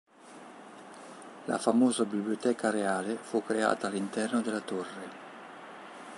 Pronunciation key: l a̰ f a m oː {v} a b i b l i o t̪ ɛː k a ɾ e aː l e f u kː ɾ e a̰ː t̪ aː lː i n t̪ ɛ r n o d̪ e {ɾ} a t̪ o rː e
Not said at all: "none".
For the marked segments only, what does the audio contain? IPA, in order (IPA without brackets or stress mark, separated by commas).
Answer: z, l